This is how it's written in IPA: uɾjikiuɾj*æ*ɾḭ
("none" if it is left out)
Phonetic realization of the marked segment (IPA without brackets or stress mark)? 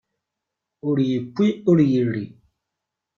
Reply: i